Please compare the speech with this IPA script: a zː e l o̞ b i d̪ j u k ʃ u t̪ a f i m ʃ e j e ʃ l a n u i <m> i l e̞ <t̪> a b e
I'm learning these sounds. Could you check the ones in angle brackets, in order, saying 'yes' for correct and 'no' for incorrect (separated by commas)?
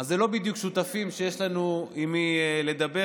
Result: yes, no